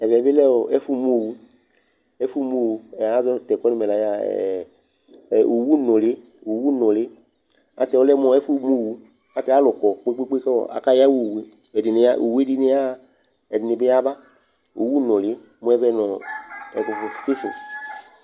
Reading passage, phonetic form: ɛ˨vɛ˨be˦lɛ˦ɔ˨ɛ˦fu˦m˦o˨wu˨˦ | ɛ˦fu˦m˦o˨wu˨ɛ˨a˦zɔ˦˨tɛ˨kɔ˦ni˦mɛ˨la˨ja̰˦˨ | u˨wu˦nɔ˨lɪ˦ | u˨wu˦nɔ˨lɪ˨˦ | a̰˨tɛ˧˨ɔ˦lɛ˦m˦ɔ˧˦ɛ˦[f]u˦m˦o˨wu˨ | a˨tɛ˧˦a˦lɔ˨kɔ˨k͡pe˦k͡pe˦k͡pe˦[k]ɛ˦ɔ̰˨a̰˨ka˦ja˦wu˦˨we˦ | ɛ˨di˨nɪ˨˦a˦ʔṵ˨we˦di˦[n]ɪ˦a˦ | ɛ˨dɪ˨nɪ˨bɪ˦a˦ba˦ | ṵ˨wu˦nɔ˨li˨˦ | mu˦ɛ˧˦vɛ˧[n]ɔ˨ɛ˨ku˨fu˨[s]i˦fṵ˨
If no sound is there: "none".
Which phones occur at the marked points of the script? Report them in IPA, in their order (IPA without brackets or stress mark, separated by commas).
f, k, n, n, s